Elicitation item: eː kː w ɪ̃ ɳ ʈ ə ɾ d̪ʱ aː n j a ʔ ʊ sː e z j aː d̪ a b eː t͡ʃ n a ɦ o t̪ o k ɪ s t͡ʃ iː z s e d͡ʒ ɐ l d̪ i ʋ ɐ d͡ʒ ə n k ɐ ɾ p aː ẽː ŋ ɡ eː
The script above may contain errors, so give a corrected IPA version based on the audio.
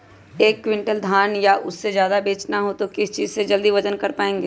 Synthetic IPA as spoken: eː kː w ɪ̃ ɳ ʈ ə l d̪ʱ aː n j a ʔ ʊ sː e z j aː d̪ a b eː t͡ʃ n a ɦ o t̪ o k ɪ s t͡ʃ iː z s e d͡ʒ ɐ l d̪ i ʋ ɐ d͡ʒ ə n k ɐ ɾ p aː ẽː ŋ ɡ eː